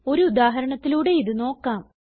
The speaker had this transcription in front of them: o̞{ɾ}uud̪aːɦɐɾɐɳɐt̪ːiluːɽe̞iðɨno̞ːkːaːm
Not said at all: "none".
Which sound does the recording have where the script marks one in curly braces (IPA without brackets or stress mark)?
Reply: ɾ